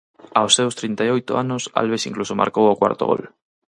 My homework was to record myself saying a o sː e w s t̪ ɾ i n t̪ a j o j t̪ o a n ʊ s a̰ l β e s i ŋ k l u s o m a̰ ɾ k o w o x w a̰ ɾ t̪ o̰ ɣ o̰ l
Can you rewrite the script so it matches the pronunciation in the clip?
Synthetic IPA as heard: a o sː e w s t̪ ɾ i n t̪ a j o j t̪ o a n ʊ s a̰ l β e s i ŋ k l u s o m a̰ ɾ k o w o k w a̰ ɾ t̪ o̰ ɣ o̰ l